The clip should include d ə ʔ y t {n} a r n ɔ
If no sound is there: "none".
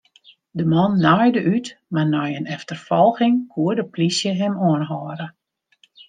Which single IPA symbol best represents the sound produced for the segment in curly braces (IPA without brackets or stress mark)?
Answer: m